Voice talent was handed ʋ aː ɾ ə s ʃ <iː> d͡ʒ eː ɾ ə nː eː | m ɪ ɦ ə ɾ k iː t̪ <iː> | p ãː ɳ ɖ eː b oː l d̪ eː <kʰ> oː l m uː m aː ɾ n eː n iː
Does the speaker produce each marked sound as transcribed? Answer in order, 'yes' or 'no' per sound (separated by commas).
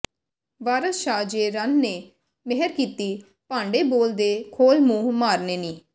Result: no, yes, yes